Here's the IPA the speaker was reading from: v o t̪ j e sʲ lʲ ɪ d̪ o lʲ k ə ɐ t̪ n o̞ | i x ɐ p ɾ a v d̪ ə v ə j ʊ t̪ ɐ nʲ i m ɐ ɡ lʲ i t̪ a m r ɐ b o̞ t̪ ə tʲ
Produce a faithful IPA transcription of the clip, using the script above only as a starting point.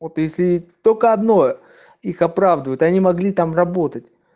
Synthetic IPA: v o t̪ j e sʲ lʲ ɪ t̪ o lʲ k ə ɐ d̪ n o̞ | i x ɐ p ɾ a v d̪ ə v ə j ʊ t̪ ɐ nʲ i m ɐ ɡ lʲ i t̪ a m r ɐ b o̞ t̪ ə tʲ